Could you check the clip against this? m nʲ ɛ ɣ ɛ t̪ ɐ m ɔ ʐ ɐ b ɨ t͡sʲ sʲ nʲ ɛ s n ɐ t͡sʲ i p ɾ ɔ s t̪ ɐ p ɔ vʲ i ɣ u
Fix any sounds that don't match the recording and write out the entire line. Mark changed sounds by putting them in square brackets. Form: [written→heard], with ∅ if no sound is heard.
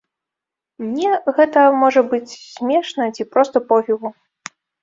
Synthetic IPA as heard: m nʲ ɛ ɣ ɛ t̪ ɐ m ɔ ʐ ɐ b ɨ t͡sʲ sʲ [nʲ→mʲ] ɛ [s→ʂ] n ɐ t͡sʲ i p ɾ ɔ s t̪ ɐ p ɔ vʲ i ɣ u